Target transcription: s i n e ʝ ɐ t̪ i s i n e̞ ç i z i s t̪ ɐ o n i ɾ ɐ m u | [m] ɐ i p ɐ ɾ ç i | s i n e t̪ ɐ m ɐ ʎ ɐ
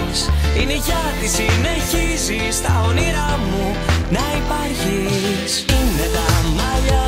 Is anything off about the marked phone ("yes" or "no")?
yes